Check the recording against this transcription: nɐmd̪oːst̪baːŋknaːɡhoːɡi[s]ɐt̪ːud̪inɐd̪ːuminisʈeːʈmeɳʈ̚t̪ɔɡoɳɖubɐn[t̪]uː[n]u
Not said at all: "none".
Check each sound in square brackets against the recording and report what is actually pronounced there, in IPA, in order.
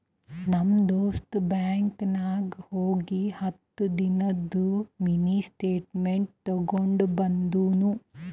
h, d̪, n

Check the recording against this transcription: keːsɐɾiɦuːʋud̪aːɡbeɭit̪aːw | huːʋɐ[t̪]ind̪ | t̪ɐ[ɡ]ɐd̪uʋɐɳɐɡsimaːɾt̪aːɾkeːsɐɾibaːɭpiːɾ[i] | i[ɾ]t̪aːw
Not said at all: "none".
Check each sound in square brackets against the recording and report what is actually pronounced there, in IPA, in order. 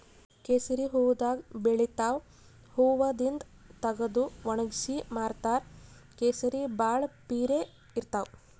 d̪, ɡ, e, ɾ

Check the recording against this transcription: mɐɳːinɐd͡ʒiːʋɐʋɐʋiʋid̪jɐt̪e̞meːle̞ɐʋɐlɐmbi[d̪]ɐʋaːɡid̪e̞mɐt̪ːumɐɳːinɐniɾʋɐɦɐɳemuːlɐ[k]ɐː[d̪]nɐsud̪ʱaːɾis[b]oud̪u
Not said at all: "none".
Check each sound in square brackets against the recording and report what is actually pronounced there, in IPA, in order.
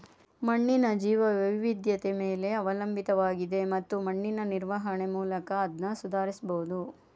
t̪, k, d̪, b

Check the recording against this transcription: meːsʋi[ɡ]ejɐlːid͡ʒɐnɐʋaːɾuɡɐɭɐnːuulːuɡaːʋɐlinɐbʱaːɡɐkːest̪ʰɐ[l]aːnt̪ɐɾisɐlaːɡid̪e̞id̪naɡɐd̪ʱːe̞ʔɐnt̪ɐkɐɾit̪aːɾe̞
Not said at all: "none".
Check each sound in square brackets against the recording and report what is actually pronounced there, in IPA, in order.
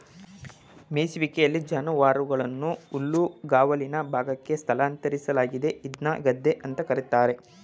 k, l

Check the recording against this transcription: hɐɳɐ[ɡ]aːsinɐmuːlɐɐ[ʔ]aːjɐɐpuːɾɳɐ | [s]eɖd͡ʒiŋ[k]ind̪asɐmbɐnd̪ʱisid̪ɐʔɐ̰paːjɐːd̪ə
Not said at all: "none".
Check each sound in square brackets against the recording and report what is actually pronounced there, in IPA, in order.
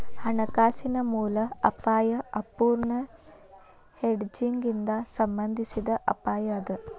k, p, h, ɡ

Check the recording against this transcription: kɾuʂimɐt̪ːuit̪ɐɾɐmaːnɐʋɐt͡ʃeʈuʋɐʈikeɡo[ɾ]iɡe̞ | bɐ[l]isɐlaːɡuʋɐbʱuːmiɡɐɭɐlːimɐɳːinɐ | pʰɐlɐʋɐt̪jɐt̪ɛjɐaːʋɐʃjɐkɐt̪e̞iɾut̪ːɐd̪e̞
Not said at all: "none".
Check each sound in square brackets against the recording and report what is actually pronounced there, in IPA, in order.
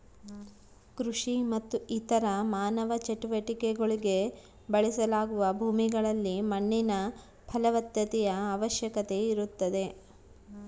ɭ, ɭ

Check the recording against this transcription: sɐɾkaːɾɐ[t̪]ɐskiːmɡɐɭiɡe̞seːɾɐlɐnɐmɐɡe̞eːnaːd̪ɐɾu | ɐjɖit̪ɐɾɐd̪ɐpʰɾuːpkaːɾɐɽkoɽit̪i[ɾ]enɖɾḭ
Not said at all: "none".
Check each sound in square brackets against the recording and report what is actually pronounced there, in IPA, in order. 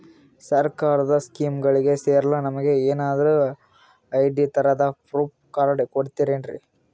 d̪, ɾ

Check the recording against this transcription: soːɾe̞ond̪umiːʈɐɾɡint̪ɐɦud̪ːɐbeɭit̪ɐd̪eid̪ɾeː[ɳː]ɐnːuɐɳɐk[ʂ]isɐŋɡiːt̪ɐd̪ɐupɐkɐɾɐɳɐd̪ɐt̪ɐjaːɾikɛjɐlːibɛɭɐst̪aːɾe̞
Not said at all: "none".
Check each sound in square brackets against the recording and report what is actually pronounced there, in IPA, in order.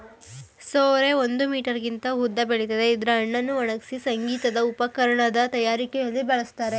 ɳː, s

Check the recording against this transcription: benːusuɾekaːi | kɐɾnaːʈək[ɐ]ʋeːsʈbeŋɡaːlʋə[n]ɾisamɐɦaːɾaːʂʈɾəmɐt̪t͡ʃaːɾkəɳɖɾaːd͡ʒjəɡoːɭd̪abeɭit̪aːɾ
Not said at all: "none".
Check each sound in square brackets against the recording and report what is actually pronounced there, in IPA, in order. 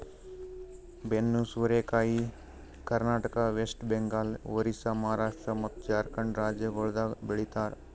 a, none

